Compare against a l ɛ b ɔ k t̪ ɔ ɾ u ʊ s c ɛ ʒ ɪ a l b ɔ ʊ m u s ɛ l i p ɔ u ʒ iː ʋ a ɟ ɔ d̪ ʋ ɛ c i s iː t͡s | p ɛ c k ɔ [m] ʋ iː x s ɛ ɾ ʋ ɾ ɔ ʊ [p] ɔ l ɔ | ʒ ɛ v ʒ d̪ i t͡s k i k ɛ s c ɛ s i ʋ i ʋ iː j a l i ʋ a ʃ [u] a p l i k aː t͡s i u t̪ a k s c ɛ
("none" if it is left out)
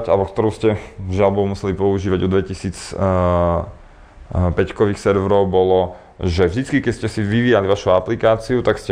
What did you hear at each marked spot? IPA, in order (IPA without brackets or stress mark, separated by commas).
none, b, u